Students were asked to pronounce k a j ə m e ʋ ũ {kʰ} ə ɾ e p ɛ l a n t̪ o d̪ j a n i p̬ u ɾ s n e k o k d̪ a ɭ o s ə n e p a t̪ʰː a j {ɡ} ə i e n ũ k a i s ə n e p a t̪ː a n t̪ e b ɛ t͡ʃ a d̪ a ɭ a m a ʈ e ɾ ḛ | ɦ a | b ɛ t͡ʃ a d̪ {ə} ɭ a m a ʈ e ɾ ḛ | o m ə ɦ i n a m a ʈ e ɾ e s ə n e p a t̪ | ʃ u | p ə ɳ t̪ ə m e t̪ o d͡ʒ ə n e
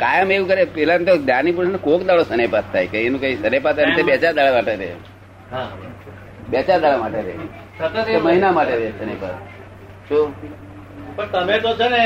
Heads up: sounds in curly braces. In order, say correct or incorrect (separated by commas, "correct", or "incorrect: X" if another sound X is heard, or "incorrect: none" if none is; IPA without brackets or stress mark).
incorrect: k, incorrect: k, incorrect: a